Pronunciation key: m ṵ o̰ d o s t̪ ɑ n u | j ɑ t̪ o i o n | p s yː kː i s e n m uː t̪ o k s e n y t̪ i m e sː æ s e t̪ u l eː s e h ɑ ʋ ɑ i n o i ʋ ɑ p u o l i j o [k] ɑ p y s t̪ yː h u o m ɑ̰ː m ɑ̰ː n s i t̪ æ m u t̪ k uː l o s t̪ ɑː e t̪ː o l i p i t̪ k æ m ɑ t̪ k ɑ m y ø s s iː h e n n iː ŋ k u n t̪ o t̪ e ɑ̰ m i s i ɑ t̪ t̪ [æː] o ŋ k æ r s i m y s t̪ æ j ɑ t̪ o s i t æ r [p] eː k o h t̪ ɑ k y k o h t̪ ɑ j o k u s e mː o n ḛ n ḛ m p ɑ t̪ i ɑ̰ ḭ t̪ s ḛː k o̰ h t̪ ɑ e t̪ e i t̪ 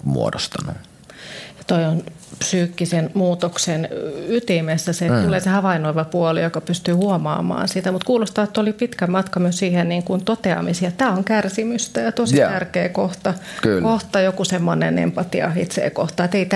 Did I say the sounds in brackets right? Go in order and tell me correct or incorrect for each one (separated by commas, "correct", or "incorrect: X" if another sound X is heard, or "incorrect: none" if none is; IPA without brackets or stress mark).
correct, correct, incorrect: k